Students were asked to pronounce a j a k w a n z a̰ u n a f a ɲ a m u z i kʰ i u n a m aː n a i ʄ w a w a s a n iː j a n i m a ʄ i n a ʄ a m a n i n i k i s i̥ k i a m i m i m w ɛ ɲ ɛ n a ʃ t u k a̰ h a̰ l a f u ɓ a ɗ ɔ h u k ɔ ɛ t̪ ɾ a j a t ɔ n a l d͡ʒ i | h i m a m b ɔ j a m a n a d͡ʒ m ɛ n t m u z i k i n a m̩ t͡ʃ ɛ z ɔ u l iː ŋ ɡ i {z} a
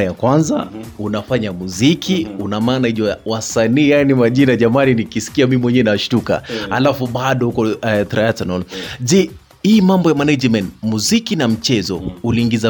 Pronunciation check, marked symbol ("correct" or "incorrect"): correct